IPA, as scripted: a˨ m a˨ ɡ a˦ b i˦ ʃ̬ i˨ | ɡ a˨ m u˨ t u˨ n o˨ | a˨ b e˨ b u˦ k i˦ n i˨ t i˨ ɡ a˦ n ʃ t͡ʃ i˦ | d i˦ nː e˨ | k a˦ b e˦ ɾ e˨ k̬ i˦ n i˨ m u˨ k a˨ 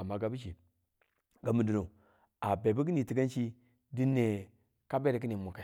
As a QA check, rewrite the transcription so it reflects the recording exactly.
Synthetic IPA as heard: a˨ m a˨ ɡ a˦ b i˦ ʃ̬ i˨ | ɡ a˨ m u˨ d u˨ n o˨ | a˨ b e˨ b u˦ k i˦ n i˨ t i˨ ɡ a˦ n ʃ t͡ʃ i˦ | d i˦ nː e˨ | k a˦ b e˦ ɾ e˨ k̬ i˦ n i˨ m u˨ k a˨